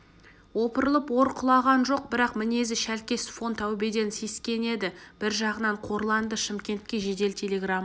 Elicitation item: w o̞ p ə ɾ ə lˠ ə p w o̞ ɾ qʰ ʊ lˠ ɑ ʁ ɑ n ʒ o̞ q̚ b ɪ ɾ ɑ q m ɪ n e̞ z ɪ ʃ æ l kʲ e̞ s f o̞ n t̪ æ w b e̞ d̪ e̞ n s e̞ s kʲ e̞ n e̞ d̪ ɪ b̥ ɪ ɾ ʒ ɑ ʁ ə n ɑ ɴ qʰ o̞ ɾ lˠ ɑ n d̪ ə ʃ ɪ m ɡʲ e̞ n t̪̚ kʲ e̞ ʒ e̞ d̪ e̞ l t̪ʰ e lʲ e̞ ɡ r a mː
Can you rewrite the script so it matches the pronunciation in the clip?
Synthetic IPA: w o̞ p ə ɾ ə lˠ ə p w o̞ ɾ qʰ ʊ lˠ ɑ ʁ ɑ n ʒ o̞ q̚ b ɪ ɾ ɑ q m ɪ n e̞ z ɪ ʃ æ l kʲ e̞ s f o̞ n t̪ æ w b e̞ d̪ e̞ n s e̞ s kʲ e̞ n e̞ d̪ ɪ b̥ ɪ ɾ ʒ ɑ ʁ ə n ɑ ɴ qʰ o̞ ɾ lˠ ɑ n d̪ ə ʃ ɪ m kʲ e̞ n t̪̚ kʲ e̞ ʒ e̞ d̪ e̞ l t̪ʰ e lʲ e̞ ɡ r a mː